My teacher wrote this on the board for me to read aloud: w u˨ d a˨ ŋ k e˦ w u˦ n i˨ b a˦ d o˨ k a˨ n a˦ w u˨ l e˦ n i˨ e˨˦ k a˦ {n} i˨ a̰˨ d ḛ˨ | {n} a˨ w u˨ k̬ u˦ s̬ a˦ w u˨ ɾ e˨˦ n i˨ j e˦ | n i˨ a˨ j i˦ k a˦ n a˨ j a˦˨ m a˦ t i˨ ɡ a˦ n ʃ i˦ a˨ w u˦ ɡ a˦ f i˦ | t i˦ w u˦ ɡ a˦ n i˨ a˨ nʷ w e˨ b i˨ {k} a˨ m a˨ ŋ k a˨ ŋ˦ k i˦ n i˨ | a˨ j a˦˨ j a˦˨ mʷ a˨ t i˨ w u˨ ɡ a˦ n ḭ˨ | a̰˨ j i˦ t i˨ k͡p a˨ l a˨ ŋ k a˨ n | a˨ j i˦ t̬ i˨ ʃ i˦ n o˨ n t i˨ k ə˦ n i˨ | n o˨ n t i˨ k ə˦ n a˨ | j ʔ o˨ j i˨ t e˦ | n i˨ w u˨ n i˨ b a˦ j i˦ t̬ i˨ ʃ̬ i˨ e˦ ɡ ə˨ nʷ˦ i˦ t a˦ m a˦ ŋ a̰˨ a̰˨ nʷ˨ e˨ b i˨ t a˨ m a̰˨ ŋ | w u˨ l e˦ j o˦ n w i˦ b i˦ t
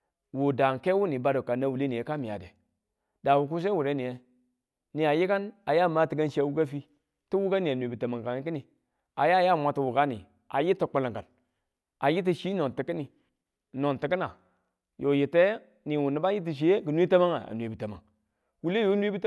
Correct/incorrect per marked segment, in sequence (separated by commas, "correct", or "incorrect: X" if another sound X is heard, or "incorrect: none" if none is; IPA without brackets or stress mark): incorrect: m, incorrect: d, incorrect: t